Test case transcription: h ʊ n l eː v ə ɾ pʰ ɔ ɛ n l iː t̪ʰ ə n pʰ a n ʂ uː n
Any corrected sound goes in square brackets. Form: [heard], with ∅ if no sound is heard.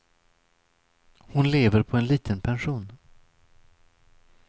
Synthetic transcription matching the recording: h ʊ n l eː v ə ɾ pʰ ɔ ɛ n l iː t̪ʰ ə n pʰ [ɛ] n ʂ uː n